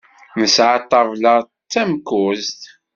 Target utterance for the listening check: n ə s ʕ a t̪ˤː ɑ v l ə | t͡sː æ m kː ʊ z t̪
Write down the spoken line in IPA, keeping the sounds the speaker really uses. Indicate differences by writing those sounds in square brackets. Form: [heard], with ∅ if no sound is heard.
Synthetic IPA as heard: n ə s ʕ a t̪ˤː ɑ v l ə | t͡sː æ m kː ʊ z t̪